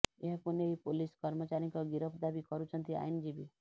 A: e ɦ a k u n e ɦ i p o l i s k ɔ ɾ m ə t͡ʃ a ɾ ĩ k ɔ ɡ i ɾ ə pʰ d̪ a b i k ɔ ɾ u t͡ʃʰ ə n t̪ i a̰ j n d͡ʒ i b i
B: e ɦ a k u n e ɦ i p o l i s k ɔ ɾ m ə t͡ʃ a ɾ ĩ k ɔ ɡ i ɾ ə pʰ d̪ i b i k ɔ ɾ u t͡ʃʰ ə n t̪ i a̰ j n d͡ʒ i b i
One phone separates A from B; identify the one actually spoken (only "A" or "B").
A